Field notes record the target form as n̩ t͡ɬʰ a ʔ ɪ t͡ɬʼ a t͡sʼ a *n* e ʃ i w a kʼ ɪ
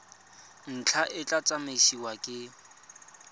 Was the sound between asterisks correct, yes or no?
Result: no